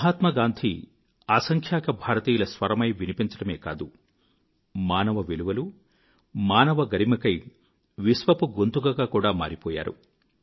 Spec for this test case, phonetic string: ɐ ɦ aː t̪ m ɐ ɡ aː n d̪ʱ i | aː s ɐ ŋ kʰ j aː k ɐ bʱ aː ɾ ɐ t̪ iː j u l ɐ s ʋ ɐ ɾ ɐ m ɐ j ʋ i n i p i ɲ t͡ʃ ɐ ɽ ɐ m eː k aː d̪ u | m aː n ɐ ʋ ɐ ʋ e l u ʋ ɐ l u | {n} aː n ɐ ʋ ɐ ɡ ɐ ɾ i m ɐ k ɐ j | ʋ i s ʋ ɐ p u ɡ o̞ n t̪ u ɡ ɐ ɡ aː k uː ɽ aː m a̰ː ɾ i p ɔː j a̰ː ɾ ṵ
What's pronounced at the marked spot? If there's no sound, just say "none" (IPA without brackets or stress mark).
m